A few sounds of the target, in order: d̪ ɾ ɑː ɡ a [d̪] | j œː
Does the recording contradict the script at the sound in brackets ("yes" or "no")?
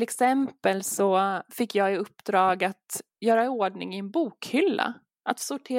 yes